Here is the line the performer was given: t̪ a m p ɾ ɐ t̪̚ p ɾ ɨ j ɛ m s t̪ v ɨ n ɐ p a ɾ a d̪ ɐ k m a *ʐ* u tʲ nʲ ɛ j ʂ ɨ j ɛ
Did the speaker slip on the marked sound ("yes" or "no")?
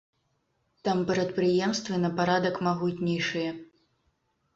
yes